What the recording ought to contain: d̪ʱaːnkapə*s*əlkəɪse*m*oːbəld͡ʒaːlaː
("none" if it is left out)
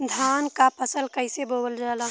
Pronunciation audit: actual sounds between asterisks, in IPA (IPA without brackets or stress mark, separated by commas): s, b